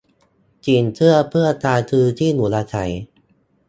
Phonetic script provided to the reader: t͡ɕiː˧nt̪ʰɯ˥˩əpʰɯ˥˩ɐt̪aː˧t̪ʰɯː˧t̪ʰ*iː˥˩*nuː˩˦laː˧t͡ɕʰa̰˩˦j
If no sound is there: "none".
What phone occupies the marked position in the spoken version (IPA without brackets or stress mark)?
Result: iː˥˩